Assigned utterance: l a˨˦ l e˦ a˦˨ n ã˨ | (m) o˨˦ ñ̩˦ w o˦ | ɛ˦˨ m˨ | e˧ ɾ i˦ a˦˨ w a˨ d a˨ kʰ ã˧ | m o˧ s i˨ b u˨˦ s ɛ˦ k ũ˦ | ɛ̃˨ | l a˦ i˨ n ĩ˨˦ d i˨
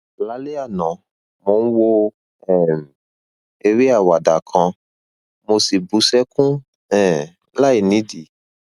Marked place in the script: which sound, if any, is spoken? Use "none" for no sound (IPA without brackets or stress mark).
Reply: m